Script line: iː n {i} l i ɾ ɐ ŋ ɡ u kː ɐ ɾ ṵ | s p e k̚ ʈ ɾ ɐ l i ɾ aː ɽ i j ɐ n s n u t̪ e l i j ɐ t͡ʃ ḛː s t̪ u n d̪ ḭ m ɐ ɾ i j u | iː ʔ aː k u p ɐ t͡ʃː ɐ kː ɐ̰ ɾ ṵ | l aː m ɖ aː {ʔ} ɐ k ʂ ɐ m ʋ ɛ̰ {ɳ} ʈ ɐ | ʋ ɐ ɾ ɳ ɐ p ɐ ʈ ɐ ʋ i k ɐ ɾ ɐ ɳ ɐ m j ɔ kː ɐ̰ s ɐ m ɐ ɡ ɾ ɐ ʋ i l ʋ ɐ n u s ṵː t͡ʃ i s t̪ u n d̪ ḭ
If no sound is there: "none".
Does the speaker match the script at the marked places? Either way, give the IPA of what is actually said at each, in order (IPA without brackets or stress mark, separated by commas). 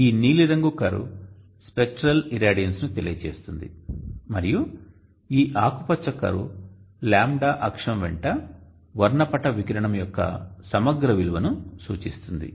iː, ʔ, ɳ